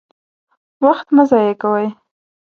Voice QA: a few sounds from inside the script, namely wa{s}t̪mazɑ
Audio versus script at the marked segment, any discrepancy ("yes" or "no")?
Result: yes